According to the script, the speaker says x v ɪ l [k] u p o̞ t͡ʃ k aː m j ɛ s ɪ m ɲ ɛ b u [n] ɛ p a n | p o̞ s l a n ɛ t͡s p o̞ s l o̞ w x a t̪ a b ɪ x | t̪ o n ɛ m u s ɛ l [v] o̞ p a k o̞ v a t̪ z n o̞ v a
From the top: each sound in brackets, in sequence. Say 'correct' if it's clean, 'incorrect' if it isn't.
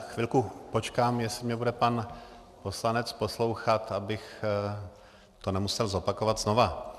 correct, incorrect: d, incorrect: z

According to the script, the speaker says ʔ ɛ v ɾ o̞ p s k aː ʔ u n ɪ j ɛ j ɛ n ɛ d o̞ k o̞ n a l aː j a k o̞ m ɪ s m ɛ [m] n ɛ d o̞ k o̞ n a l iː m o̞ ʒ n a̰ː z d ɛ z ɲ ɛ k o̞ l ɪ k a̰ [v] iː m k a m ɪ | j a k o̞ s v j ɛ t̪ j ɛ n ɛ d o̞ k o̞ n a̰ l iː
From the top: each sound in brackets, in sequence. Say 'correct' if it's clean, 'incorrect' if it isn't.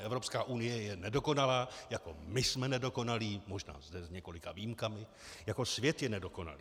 incorrect: none, correct

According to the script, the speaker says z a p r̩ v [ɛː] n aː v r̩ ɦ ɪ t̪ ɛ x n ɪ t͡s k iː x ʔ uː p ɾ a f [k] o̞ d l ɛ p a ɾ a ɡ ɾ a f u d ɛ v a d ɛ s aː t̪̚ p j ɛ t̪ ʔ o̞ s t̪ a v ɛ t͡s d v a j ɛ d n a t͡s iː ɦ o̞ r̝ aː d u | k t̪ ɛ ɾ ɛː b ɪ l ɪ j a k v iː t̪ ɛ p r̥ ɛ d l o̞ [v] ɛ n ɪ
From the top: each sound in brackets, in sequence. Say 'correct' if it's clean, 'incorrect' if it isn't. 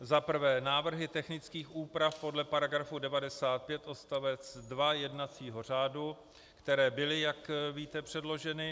correct, incorrect: p, incorrect: ʒ

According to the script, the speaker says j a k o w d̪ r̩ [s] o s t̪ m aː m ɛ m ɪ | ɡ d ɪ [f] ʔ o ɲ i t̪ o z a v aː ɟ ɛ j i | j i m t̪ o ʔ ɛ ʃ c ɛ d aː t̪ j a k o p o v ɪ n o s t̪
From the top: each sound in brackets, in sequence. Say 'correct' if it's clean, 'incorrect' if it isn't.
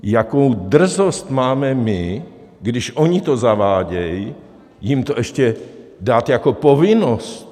incorrect: z, incorrect: ʃ

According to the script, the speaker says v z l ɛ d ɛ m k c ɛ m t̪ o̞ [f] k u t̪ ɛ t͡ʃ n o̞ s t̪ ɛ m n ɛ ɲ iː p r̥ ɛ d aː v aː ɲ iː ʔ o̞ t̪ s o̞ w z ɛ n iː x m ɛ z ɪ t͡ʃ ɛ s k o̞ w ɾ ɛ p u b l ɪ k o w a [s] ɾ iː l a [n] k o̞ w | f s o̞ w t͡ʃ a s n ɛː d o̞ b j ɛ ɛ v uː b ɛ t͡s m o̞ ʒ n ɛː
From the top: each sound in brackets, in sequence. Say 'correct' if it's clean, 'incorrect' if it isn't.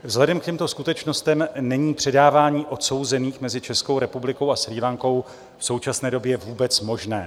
incorrect: s, correct, incorrect: ŋ

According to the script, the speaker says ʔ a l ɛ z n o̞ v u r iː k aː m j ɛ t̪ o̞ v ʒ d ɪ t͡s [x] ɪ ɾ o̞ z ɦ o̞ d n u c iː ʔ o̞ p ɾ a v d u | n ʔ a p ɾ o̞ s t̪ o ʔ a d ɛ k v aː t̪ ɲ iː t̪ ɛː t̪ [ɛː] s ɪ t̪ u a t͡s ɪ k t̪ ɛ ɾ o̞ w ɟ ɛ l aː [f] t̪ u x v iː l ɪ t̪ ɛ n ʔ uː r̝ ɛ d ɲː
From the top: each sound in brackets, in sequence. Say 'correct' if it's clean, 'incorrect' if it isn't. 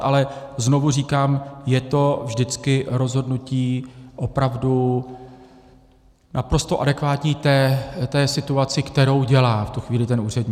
incorrect: k, correct, correct

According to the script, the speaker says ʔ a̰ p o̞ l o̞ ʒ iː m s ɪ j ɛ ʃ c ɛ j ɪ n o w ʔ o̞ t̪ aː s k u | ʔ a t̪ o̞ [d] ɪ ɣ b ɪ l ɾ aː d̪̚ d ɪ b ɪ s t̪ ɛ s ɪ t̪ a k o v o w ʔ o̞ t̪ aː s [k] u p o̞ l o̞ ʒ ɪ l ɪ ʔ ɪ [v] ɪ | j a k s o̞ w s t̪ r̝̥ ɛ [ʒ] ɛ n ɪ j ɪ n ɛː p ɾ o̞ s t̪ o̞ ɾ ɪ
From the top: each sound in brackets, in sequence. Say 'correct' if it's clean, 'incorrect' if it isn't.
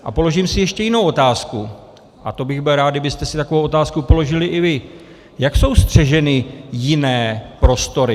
incorrect: b, correct, correct, correct

